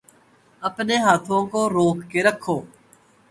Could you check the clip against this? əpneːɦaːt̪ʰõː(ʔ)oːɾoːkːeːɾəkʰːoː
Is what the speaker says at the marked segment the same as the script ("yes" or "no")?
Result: no